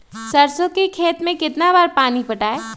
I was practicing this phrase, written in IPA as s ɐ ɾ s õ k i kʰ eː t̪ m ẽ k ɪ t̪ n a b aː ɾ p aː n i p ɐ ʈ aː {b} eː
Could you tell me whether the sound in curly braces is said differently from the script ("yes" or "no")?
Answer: yes